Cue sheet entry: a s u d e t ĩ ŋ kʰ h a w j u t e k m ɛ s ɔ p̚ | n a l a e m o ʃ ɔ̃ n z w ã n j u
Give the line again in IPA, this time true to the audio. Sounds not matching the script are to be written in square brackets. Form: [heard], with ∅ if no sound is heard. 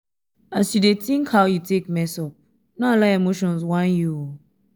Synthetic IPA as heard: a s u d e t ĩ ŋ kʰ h a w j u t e k m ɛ s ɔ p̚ | n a l a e m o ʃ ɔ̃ n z w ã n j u